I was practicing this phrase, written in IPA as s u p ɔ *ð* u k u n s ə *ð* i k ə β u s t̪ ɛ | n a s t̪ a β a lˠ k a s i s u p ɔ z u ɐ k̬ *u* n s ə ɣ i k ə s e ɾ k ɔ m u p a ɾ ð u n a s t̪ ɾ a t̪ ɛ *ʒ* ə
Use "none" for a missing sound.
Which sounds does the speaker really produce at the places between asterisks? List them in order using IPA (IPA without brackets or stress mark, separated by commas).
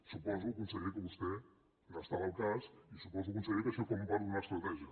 z, ɣ, u, ʒ